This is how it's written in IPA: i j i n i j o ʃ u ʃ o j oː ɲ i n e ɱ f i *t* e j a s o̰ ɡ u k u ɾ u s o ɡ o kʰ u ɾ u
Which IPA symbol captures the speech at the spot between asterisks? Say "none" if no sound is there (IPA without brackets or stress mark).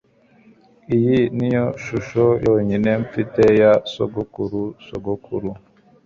t